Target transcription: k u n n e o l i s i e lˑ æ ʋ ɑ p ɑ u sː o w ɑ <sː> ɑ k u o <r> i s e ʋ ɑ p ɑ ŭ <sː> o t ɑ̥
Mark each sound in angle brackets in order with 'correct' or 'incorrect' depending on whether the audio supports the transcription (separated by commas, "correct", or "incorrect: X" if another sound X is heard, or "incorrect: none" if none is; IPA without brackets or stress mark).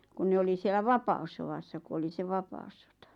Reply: correct, incorrect: l, correct